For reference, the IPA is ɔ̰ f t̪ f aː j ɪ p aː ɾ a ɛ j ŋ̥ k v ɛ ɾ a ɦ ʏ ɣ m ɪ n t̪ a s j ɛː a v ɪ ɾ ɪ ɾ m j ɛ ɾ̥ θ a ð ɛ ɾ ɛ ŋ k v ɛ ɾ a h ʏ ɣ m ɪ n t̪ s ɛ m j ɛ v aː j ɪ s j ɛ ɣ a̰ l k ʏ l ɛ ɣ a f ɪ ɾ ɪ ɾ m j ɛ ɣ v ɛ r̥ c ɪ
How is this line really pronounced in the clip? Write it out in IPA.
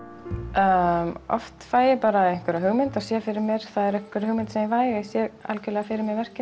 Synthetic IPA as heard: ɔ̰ f t̪ f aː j ɪ p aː ɾ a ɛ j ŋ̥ k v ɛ ɾ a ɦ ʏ ɣ m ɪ n t̪ a s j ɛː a f ɪ ɾ ɪ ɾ m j ɛ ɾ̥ θ a ð ɛ ɾ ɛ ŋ k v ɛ ɾ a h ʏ ɣ m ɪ n t̪ s ɛ m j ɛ v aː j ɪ s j ɛ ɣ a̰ l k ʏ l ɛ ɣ a f ɪ ɾ ɪ ɾ m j ɛ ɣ v ɛ r̥ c ɪ